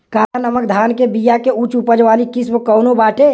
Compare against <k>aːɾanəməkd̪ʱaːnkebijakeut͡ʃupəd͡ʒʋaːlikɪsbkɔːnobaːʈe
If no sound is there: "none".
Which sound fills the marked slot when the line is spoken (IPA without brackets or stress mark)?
k